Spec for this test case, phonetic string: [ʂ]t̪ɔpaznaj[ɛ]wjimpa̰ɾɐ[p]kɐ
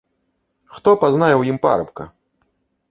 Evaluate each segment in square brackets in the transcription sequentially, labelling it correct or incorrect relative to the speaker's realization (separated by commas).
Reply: incorrect, correct, correct